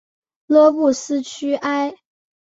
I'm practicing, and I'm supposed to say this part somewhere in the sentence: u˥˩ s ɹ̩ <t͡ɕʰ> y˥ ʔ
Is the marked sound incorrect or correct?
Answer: correct